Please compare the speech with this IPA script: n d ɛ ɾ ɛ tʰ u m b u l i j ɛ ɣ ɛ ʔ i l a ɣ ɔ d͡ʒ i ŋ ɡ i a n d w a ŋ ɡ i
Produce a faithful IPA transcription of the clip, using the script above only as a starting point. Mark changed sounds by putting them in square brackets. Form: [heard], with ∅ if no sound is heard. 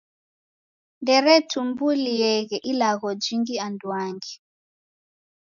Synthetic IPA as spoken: n d ɛ ɾ ɛ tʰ u m b u l i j ɛ ɣ ɛ ʔ i l a ɣ ɔ d͡ʒ i ŋ ɡ i a n d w a ŋ ɡ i

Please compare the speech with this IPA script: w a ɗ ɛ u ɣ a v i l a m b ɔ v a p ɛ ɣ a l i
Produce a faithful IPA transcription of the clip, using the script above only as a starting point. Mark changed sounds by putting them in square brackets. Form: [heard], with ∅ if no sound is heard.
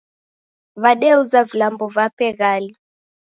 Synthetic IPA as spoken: [β] a ɗ ɛ u [z] a v i l a m b ɔ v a p ɛ ɣ a l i

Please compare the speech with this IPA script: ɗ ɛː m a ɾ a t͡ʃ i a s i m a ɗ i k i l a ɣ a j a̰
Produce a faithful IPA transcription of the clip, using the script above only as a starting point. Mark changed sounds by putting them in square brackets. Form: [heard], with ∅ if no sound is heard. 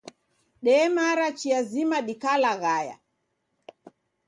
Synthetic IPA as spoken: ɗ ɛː m a ɾ a t͡ʃ i a [z] i m a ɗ i k [a] l a ɣ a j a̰

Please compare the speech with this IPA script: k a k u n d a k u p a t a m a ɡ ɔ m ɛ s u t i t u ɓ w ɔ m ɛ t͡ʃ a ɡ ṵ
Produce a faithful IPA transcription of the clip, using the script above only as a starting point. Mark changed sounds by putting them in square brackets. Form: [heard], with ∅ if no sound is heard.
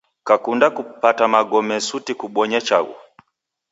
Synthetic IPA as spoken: k a k u n d a k u p a t a m a ɡ ɔ m ɛ s u t i [k] u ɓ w ɔ [ɲ] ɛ t͡ʃ a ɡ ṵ

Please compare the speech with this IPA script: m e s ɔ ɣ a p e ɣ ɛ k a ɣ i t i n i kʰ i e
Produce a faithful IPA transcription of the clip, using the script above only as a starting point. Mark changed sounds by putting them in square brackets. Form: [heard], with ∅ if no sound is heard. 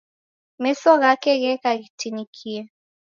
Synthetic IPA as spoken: m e s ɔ ɣ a [k] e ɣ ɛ k a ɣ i t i n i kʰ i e

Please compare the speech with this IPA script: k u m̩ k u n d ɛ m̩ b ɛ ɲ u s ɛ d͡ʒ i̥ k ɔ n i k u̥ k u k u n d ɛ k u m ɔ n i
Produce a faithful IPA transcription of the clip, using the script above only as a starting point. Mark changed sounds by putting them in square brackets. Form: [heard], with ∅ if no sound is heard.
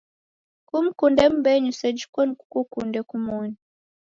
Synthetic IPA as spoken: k u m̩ k u n d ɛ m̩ b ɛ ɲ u s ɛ d͡ʒ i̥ k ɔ n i k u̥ k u k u n d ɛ k u m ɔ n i

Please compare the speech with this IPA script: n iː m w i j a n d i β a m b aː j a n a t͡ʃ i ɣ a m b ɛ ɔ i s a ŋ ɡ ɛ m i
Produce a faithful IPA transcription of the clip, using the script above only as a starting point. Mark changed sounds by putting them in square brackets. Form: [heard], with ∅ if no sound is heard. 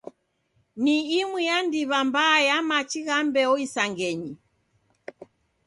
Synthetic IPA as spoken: n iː m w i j a n d i β a m b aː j a [m] a t͡ʃ i ɣ a m b ɛ ɔ i s a ŋ ɡ ɛ [ɲ] i

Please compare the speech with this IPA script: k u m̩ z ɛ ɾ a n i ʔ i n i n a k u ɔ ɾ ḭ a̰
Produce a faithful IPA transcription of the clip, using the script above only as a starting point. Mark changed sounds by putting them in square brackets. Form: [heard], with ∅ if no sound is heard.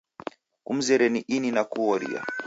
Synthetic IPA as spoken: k u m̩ z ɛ ɾ [ɛ] n i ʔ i n i n a k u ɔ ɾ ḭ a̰

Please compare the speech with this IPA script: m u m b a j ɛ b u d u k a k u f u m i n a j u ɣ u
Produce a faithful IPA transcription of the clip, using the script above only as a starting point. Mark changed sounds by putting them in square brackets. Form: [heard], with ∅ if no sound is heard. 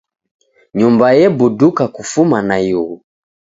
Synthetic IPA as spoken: [ɲ] u m b a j ɛ b u d u k a k u f u m [a] n a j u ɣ u

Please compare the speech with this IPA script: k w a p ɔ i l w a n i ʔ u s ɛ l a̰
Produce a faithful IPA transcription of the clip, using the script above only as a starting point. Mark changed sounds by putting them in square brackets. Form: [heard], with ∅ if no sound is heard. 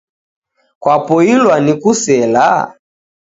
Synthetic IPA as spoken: k w a p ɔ i l w a n i [k] u s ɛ l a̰

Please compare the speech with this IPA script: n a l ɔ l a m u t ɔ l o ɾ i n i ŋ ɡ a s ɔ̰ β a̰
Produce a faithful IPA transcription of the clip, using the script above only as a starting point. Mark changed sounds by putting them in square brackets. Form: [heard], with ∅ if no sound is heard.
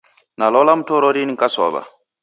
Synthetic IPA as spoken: n a l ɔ l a m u t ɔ [ɾ] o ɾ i n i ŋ [k] a s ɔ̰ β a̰

